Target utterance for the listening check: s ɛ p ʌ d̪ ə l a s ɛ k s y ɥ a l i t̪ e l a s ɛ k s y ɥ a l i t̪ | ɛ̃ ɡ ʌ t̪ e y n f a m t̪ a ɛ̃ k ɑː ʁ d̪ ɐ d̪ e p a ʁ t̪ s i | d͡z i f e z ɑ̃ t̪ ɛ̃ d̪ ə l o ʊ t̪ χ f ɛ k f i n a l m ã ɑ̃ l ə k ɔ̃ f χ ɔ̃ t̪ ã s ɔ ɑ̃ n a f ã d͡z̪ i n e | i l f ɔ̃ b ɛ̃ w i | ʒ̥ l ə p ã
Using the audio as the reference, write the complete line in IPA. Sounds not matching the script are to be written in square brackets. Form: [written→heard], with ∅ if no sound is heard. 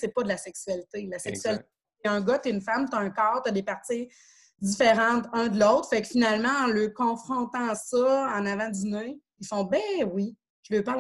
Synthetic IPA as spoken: s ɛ p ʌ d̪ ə l a s ɛ k s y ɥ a l i t̪ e l a s ɛ k s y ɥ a l i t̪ | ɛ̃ ɡ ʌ t̪ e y n f a m t̪ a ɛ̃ k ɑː ʁ [d̪→t̪] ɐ d̪ e p a ʁ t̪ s i | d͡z i f e [z→ʁ] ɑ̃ t̪ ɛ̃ d̪ ə l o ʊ t̪ χ f ɛ k f i n a l m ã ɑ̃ l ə k ɔ̃ f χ ɔ̃ t̪ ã s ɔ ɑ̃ n a [f→v] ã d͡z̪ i n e | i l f ɔ̃ b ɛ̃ w i | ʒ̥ l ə p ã